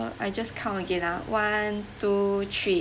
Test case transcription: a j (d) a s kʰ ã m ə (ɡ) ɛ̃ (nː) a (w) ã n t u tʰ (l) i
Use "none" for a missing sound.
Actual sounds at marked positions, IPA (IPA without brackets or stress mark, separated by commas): d͡ʒ, ɡ, n, w, ɹ